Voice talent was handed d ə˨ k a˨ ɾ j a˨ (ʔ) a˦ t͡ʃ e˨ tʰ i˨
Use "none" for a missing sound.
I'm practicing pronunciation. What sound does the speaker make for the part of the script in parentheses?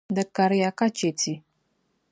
k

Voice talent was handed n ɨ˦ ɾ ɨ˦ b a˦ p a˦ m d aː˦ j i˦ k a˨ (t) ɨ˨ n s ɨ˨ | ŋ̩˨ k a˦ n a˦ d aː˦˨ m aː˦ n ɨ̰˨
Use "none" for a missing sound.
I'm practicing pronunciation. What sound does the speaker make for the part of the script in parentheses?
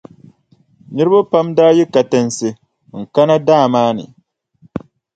t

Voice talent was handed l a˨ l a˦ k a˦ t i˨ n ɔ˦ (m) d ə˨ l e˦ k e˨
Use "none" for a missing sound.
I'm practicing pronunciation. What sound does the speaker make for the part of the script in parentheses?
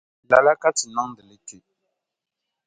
ŋ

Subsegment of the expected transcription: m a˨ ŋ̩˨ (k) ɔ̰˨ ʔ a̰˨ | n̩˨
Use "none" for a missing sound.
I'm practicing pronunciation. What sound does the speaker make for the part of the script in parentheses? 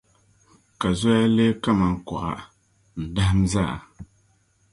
k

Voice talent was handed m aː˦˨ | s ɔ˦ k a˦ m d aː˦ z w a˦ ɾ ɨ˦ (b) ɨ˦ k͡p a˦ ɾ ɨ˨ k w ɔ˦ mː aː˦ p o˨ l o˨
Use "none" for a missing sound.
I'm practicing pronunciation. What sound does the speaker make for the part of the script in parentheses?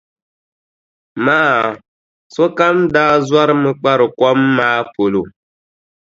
m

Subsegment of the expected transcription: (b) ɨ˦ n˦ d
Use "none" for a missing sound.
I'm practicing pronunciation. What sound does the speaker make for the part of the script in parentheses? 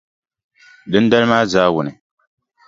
d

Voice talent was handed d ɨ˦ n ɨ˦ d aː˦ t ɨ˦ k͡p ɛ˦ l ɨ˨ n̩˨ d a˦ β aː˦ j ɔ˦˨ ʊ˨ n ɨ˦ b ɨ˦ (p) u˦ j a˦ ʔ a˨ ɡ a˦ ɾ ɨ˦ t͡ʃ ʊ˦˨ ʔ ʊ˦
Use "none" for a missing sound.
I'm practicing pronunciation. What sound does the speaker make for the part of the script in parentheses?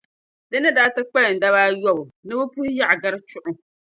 p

